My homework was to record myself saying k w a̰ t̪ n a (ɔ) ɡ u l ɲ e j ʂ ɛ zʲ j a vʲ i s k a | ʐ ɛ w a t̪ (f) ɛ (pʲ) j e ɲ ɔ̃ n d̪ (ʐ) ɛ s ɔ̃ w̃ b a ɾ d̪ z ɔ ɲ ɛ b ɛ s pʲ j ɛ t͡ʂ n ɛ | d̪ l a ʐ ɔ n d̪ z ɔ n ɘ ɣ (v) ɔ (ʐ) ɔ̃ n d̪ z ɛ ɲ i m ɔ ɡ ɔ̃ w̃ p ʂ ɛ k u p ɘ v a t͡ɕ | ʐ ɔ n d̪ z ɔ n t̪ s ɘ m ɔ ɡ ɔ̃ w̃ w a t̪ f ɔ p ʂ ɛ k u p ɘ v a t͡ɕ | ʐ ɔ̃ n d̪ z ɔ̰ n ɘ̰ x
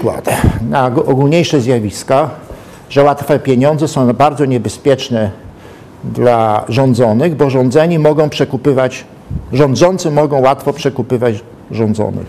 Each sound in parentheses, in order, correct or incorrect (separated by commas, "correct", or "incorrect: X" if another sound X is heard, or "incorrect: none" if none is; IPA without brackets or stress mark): correct, correct, correct, incorrect: z, incorrect: b, correct